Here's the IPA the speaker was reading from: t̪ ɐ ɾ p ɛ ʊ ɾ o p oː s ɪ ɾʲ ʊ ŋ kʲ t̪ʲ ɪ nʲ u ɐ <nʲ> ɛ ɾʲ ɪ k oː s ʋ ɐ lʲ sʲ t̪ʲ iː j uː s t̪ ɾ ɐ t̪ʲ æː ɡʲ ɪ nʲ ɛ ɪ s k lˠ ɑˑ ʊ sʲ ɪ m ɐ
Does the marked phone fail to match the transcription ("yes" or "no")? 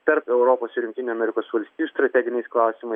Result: yes